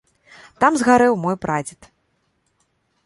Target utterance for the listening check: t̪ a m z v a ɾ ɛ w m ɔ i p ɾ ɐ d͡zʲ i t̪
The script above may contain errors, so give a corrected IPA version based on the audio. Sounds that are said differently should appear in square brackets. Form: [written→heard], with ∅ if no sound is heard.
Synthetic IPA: t̪ a m z [v→ɣ] a ɾ ɛ w m ɔ [i→j] p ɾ [ɐ→a] d͡zʲ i t̪